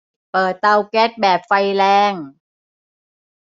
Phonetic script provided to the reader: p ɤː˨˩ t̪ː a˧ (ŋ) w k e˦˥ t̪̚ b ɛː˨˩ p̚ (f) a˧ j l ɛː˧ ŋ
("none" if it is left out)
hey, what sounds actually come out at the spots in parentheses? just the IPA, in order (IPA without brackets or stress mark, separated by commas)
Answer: none, f